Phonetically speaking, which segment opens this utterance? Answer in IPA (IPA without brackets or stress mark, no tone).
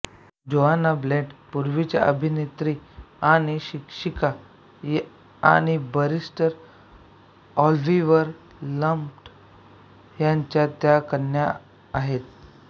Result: d͡ʑ